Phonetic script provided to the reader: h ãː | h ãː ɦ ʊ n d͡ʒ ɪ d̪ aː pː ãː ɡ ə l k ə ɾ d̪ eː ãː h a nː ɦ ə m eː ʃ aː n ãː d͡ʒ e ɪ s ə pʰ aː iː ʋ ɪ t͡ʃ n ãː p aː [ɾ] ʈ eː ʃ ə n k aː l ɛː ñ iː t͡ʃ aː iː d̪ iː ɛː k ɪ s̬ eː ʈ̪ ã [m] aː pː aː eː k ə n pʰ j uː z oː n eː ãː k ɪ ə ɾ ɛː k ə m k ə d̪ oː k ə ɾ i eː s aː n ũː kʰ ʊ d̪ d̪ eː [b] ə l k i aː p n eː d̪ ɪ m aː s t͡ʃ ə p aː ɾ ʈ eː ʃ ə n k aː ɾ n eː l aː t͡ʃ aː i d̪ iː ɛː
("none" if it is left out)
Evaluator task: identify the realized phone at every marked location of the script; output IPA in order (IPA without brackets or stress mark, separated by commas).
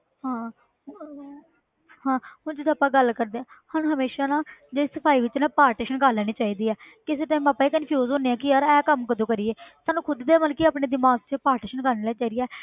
ɾ, m, m